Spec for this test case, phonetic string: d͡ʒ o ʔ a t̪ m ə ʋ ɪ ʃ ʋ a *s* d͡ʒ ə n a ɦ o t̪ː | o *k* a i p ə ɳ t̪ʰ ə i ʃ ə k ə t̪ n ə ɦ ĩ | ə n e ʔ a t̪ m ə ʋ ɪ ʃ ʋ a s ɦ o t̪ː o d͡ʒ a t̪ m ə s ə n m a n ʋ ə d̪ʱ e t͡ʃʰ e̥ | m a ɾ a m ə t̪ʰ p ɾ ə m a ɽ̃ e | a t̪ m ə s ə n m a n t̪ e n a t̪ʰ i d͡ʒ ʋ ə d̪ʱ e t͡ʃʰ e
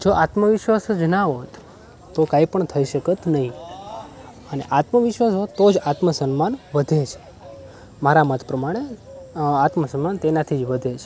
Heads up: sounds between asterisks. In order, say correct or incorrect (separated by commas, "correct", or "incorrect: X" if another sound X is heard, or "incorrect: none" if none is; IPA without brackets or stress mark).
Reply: correct, correct